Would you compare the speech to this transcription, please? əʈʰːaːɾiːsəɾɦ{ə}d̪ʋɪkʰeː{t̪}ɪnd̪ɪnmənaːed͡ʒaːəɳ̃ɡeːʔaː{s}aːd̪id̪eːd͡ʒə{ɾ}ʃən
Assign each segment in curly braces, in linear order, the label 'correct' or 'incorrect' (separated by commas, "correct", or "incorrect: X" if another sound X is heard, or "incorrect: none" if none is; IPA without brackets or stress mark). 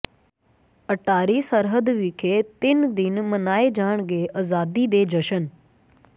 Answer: correct, correct, incorrect: z, incorrect: none